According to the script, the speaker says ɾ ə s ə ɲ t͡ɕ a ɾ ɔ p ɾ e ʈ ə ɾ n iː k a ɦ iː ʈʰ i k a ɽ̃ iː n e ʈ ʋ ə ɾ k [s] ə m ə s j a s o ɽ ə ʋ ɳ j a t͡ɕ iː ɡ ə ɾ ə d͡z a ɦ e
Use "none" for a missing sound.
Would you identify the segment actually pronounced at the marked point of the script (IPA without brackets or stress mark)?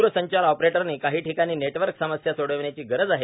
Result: s